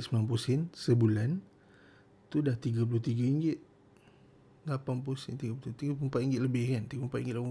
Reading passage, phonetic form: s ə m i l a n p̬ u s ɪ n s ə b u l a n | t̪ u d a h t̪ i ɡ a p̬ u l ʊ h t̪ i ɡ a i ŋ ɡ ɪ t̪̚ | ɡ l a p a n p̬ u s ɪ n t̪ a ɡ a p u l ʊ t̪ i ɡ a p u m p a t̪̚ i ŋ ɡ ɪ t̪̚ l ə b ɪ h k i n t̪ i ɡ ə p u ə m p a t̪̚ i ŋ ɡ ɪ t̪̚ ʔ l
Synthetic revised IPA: s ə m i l a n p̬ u s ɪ n s ə b u l a n | t̪ u d a h t̪ i ɡ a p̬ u l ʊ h t̪ i ɡ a i ŋ ɡ ɪ t̪̚ | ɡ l a p a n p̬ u s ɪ n t̪ i ɡ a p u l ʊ t̪ i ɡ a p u m p a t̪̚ i ŋ ɡ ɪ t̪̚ l ə b ɪ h k a n t̪ i ɡ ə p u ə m p a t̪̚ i ŋ ɡ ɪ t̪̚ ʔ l